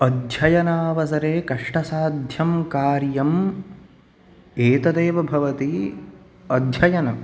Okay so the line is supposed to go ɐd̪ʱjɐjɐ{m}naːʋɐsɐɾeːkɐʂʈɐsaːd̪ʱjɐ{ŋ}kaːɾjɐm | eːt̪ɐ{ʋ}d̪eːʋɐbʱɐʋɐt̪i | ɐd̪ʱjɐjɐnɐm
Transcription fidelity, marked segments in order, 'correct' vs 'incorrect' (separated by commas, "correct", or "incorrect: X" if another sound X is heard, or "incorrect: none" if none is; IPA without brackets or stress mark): incorrect: none, incorrect: m, incorrect: none